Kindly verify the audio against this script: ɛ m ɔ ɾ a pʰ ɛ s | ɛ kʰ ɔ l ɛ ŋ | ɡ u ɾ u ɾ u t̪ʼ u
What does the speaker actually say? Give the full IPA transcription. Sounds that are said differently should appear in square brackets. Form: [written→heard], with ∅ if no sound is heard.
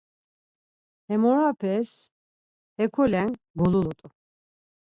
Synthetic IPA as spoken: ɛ m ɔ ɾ a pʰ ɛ s | ɛ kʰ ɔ l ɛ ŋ | ɡ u [ɾ→l] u [ɾ→l] u t̪ʼ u